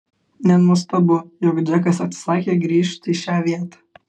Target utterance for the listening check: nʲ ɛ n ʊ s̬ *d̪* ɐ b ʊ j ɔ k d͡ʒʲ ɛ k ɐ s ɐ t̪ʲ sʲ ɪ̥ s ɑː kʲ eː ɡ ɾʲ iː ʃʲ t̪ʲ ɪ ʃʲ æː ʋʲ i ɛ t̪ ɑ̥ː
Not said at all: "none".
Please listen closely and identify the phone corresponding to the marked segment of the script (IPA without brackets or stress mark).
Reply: t̪